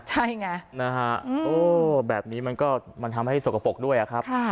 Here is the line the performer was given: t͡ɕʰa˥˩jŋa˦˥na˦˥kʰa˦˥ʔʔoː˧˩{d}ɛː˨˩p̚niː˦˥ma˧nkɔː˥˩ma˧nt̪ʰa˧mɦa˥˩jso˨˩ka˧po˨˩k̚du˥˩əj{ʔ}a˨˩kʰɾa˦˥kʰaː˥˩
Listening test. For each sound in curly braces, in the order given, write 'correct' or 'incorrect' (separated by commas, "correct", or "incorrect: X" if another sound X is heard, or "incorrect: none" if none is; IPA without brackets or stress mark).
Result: incorrect: b, correct